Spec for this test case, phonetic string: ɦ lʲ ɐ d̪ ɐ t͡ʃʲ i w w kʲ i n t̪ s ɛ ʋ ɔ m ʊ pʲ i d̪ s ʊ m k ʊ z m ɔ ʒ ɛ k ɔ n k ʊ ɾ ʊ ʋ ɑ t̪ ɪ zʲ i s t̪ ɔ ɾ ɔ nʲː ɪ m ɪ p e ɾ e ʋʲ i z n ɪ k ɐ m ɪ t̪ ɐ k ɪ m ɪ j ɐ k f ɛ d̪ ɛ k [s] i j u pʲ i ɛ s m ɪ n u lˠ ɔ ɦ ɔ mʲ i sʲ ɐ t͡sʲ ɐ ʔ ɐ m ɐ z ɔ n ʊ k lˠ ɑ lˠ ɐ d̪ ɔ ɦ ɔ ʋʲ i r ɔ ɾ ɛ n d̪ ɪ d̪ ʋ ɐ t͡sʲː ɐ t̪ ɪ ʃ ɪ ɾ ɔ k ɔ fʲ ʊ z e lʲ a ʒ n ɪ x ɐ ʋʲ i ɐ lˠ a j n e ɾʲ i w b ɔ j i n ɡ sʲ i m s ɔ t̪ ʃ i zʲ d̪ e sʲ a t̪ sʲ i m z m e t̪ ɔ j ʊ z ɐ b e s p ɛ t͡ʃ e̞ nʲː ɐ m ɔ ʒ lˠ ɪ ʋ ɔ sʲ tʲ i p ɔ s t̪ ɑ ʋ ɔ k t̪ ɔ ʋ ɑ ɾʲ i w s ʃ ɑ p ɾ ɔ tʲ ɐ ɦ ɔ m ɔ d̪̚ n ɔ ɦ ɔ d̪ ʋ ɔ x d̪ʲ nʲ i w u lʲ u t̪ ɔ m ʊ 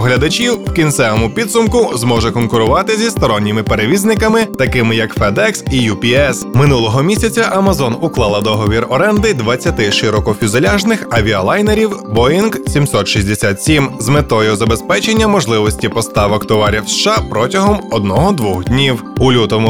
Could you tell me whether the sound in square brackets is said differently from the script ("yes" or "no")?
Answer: no